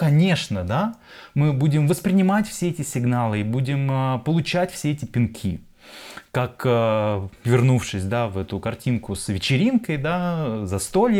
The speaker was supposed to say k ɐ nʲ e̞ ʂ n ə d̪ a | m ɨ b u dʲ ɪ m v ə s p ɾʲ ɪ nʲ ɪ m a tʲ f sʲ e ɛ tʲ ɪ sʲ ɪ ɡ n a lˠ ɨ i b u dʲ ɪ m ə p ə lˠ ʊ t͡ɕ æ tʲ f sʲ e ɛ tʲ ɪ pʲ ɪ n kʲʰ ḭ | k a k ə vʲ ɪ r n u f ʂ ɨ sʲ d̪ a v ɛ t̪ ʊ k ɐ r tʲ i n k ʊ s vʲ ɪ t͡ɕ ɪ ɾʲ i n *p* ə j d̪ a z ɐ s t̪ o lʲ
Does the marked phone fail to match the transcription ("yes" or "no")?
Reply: yes